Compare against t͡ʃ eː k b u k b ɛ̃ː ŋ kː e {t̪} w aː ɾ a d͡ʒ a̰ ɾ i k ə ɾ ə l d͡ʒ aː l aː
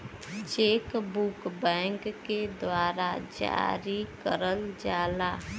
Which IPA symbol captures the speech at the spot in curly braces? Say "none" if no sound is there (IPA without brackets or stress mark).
d̪